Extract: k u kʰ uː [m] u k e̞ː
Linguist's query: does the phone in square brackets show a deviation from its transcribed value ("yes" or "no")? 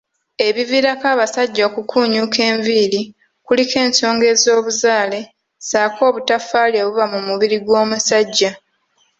yes